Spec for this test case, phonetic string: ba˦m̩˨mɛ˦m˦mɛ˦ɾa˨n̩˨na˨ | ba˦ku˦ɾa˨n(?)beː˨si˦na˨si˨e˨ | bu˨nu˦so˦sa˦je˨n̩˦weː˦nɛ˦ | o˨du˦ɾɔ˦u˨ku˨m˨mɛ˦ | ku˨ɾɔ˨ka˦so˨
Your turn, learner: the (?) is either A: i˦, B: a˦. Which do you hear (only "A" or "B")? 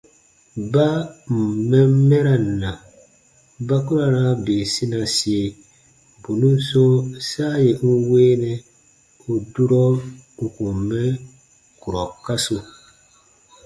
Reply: B